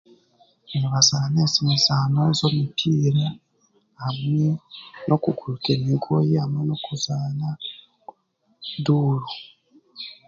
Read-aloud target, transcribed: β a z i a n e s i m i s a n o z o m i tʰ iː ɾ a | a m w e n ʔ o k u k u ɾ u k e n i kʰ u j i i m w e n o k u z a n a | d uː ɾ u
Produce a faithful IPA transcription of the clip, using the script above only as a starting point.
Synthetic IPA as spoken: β a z a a n e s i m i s a n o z o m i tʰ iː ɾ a | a m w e n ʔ o k u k u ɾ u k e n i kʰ o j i a m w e n o k u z a n a | d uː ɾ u